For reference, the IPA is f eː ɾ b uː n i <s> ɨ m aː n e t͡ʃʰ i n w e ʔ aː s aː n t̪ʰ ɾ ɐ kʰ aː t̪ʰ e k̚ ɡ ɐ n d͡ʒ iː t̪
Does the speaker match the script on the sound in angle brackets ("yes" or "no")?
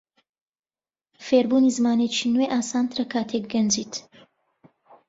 no